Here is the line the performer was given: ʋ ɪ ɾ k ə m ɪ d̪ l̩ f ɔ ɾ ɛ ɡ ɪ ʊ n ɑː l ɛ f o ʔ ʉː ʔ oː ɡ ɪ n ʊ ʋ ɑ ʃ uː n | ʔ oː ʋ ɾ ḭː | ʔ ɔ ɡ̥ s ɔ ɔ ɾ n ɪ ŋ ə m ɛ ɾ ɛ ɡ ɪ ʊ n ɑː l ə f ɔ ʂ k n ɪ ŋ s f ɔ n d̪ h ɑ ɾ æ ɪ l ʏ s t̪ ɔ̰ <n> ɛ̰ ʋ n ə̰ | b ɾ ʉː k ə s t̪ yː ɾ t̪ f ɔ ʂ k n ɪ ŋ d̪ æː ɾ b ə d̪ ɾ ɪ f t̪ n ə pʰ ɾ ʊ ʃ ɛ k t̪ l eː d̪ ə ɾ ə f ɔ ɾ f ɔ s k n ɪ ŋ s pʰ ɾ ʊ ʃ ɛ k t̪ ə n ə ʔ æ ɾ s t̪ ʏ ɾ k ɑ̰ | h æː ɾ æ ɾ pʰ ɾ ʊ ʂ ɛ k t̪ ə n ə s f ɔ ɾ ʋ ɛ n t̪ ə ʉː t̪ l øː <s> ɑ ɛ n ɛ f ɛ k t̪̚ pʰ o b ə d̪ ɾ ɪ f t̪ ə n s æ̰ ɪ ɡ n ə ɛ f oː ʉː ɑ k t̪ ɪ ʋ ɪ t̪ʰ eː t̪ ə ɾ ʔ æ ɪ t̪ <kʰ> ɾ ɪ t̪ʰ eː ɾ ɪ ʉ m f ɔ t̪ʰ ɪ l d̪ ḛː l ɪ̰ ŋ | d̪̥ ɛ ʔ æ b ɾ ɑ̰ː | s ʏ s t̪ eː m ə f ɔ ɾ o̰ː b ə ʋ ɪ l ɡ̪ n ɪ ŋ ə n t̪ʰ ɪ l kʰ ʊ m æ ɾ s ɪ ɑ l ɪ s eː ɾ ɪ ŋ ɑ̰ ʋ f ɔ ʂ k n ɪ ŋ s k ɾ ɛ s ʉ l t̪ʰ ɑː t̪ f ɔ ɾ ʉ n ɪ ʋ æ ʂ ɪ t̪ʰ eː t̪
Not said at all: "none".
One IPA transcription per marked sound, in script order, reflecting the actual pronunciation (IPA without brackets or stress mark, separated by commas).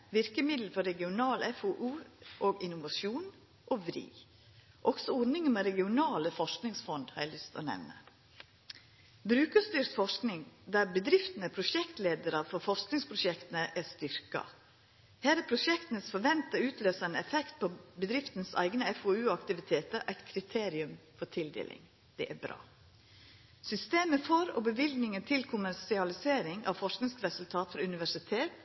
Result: n, s, kʰ